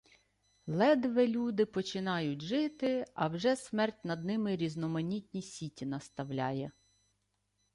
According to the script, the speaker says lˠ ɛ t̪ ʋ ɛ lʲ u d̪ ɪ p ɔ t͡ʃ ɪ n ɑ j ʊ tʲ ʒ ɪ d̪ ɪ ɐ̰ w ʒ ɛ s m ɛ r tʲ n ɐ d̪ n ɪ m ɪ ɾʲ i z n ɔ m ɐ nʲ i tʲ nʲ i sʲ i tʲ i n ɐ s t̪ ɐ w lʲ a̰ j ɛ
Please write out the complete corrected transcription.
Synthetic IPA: lˠ ɛ d̪ ʋ ɛ lʲ u d̪ ɪ p ɔ t͡ʃ ɪ n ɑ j ʊ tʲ ʒ ɪ t̪ ɪ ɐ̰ w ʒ ɛ s m ɛ r tʲ n ɐ d̪ n ɪ m ɪ ɾʲ i z n ɔ m ɐ nʲ i tʲ nʲ i sʲ i tʲ i n ɐ s t̪ ɐ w lʲ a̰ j ɛ